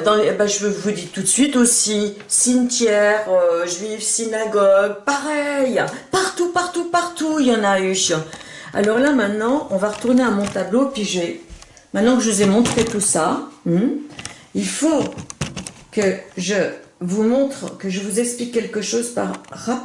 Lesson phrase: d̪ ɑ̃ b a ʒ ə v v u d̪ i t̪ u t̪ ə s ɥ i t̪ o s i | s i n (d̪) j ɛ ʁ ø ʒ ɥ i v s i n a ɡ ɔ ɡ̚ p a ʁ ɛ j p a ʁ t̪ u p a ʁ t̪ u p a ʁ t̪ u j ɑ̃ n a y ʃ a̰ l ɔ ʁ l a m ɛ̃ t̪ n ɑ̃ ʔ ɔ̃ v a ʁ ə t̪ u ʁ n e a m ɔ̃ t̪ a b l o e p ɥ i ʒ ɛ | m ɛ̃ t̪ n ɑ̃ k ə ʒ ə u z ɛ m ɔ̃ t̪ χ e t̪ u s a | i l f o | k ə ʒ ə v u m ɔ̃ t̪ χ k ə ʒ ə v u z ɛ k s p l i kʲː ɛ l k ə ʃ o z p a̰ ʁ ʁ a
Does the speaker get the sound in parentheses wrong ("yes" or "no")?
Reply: yes